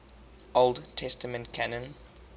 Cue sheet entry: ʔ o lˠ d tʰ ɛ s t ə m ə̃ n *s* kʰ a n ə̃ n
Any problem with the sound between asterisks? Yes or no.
yes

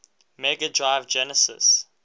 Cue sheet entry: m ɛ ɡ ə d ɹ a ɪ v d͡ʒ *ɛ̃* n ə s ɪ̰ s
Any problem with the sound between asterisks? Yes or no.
yes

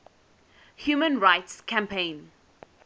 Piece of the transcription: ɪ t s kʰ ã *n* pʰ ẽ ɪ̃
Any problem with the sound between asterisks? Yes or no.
yes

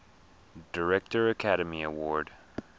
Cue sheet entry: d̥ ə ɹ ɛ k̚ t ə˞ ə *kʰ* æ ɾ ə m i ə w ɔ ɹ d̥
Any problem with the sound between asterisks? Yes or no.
no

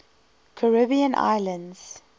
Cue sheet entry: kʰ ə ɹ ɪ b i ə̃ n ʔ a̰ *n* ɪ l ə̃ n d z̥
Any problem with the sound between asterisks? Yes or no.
yes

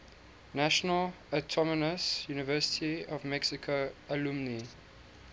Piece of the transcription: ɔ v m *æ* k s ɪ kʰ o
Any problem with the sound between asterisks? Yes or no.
yes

